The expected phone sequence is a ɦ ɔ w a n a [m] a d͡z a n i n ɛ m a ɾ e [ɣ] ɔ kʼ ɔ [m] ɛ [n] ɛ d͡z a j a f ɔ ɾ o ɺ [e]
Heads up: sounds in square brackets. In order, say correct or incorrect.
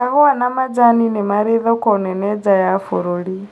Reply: correct, incorrect, incorrect, correct, incorrect

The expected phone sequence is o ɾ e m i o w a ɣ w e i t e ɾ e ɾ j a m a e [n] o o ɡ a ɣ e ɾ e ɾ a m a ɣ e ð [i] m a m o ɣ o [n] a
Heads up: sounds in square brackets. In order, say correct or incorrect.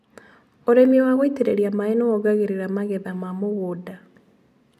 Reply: correct, incorrect, incorrect

